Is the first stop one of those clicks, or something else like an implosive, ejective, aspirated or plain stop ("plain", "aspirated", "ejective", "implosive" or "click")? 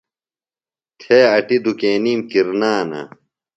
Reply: aspirated